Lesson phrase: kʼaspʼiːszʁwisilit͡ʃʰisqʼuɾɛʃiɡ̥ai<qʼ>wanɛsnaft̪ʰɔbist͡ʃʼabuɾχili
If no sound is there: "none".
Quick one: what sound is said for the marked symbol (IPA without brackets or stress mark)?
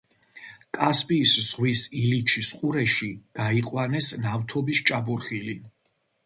qʼ